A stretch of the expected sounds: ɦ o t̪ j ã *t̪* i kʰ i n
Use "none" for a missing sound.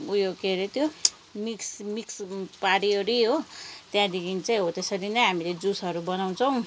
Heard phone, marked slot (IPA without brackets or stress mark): d̪